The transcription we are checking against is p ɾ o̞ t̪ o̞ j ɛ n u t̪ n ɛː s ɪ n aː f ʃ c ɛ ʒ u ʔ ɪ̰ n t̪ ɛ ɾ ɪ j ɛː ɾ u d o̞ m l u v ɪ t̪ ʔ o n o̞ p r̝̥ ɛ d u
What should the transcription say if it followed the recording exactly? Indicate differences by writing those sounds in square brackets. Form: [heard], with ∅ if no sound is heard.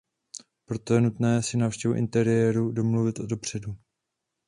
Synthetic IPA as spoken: p ɾ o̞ t̪ o̞ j ɛ n u t̪ n ɛː s ɪ n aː f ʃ c ɛ [v] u ʔ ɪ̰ n t̪ ɛ ɾ ɪ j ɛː ɾ u d o̞ m l u v ɪ t̪ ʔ o [d] o̞ p r̝̥ ɛ d u